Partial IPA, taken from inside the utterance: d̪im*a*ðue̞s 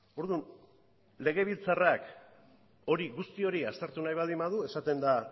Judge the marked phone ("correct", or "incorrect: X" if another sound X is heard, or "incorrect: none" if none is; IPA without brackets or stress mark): correct